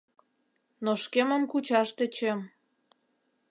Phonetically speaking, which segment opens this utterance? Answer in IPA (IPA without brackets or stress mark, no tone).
n